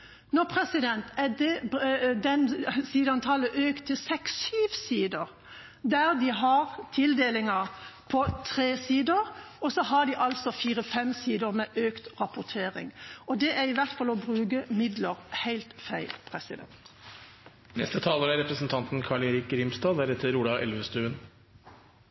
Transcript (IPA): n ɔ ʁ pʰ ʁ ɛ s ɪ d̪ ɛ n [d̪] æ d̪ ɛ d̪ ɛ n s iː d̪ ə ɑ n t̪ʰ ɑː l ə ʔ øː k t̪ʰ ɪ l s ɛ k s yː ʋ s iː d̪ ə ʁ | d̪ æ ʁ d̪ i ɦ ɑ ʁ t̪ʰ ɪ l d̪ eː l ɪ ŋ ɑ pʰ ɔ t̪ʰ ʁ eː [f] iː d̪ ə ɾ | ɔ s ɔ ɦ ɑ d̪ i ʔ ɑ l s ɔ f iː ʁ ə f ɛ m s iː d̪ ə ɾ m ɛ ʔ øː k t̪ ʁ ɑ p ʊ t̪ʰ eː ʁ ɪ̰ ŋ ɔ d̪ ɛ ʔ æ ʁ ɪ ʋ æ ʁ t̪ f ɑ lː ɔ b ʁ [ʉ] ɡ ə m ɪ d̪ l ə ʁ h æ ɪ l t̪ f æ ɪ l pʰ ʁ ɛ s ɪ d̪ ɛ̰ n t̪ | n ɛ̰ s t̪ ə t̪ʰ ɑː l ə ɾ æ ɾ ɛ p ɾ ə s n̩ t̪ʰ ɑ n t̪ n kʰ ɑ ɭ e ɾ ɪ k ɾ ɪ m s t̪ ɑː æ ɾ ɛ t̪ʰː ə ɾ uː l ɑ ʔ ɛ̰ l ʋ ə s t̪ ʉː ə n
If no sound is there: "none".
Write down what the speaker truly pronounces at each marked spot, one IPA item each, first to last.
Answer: t̪, s, ʉː

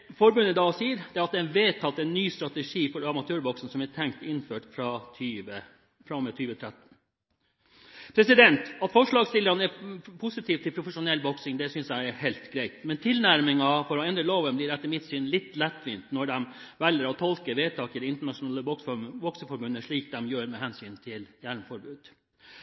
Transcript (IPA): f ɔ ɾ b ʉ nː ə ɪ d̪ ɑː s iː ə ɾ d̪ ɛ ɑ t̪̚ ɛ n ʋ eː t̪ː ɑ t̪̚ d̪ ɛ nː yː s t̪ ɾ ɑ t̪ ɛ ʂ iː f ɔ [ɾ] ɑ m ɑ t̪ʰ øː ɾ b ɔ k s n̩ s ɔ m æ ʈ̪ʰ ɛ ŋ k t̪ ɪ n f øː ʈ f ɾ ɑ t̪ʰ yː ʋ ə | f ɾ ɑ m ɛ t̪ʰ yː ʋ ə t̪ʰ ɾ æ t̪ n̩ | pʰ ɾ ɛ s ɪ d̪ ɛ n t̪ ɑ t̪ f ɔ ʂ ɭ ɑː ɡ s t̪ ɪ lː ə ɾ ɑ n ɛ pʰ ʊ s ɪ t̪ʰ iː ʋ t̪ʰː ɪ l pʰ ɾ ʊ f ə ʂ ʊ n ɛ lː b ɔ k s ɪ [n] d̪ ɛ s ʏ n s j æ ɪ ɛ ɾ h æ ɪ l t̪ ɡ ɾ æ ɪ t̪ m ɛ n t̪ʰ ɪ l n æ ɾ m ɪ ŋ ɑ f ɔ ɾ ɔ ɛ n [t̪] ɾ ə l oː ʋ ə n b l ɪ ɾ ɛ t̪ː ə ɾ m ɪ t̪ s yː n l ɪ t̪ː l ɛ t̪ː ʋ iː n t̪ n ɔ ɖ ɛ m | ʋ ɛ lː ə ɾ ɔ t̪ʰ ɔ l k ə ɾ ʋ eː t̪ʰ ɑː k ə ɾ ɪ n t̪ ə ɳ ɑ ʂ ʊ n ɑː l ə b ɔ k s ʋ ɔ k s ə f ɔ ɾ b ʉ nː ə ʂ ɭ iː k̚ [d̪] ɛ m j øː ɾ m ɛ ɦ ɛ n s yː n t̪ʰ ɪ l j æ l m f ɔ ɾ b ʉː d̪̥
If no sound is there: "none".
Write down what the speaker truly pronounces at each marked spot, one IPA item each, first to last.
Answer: ɾ, ŋ, d̪, d̪

